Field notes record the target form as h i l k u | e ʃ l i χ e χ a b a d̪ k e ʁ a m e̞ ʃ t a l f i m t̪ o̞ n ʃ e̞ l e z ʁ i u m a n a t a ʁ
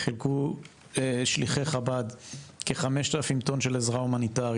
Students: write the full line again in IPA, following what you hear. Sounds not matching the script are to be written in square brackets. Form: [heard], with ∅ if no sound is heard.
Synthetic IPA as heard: [χ] i l k u | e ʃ l i χ e χ a b a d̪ k e [χ] a m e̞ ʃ t a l f i m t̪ o̞ n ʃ e̞ l e z ʁ [a] u m a n [i] t a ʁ

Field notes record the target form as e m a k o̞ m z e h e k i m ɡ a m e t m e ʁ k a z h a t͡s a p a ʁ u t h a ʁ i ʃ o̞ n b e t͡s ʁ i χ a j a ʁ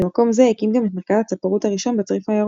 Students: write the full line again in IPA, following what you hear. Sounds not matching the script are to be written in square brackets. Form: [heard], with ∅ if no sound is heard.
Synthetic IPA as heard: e m a k o̞ m z e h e k i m ɡ a m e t m e ʁ k a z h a t͡s a p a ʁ u t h a ʁ i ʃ o̞ n b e t͡s ʁ i [f] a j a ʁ

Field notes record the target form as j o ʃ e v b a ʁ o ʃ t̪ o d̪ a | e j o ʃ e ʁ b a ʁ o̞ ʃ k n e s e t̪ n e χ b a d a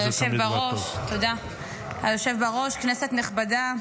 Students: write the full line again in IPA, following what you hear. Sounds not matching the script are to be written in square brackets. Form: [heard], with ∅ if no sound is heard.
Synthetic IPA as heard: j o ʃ e v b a ʁ o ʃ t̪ o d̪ a | [a] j o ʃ e [v] b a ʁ o̞ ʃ k n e s e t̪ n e χ b a d a

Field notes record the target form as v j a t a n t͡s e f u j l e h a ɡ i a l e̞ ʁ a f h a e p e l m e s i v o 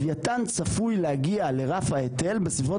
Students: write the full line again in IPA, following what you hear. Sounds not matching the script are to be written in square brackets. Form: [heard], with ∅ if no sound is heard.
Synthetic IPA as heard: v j a t a n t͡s [a] f u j l e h a ɡ i a l e̞ ʁ a f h a e [t] e l [b] e s i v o

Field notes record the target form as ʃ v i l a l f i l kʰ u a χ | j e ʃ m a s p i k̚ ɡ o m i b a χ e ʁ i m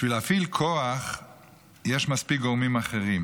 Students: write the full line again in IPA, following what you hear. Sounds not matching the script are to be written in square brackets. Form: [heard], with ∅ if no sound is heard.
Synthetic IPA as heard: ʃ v i l a [∅] f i l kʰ [o] a χ | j e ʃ m a s p i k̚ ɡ o m i [m] a χ e ʁ i m

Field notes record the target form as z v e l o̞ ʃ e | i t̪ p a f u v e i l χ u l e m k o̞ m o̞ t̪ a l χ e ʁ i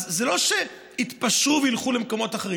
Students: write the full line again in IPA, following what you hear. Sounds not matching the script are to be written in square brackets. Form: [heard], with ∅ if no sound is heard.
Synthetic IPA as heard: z [z] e l o̞ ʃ e | i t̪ p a [ʃ] u v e i l χ u l e m k o̞ m o̞ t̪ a [∅] χ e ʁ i

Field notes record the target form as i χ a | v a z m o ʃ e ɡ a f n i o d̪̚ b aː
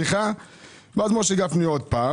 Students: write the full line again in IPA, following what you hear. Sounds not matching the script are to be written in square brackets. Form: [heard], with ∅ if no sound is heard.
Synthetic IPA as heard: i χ a | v a z m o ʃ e ɡ a f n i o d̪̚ [p] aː

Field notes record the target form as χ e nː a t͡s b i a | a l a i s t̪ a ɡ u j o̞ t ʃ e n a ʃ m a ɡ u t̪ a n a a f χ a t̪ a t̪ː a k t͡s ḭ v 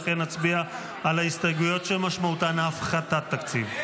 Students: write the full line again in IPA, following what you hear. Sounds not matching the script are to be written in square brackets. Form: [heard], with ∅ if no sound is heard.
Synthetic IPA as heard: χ e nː a t͡s b i a | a l a i s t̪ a ɡ u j o̞ t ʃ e [m] a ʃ m a [∅] u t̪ a n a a f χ a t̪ a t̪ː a k t͡s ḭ v

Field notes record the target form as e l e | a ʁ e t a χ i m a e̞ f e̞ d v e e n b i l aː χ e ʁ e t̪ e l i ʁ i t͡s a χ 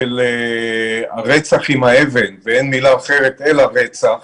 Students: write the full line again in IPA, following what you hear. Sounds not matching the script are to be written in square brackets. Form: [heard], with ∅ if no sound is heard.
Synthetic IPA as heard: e l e | a ʁ e [t͡s] a χ i m a e̞ [v] e̞ [n] v e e n [m] i l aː χ e ʁ e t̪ e l [a] ʁ [e] t͡s a χ

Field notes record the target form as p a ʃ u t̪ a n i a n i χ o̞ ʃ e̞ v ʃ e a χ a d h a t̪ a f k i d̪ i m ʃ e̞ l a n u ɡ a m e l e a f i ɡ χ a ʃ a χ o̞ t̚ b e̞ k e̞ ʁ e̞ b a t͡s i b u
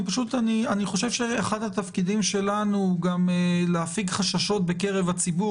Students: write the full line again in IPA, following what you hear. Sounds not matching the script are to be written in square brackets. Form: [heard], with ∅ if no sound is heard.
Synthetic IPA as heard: p a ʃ u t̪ a n i a n i χ o̞ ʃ e̞ v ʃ e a χ a d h a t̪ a f k i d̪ i m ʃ e̞ l a n u ɡ a m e l e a f i ɡ χ a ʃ a [ʃ] o̞ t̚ b e̞ k e̞ ʁ e̞ [v] a t͡s i b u

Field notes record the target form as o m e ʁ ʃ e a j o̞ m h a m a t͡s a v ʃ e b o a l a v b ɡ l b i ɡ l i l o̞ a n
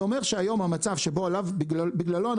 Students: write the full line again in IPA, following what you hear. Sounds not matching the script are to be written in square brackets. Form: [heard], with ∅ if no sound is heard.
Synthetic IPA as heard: o m e ʁ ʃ e a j o̞ m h a m a t͡s a v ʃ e b o a l a v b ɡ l b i ɡ l [a] l o̞ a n

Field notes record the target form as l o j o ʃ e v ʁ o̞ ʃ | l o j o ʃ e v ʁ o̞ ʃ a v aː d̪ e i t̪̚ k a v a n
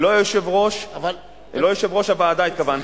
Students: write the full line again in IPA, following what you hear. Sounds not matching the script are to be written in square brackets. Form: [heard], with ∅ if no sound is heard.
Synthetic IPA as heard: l o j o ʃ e v ʁ o̞ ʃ | l o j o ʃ e v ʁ o̞ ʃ a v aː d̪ [a] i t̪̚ k a v a n

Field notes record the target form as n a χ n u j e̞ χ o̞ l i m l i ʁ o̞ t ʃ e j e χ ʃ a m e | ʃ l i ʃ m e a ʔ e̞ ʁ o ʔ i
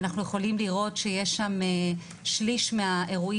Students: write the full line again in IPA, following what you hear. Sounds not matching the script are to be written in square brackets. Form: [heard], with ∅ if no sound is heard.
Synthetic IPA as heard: n a χ n u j e̞ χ o̞ l i m l i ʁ o̞ t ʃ e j e [ʃ] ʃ a m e | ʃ l i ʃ m e a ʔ e̞ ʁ [u] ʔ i

